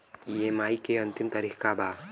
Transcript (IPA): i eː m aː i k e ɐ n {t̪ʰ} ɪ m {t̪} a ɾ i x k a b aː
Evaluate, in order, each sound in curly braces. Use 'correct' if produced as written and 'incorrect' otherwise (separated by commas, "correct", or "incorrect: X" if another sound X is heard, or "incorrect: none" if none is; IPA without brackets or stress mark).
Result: incorrect: t̪, correct